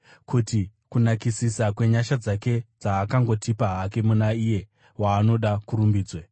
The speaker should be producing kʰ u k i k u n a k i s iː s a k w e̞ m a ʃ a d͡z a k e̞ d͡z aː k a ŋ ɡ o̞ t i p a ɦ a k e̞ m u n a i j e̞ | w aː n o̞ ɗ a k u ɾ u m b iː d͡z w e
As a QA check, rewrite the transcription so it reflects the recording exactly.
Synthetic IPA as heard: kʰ u t i k u n a k i s i s a k w e̞ ɲ a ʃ a d͡z a k e̞ d͡z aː k a ŋ ɡ o̞ t i p a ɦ a k e̞ m u n a i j e̞ | w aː n o̞ ɗ a k u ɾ u m b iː d͡z w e